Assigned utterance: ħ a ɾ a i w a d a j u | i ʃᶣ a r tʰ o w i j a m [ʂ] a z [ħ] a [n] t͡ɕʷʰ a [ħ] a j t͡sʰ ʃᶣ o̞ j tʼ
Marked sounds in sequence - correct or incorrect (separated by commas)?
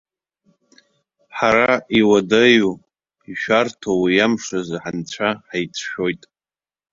correct, correct, correct, correct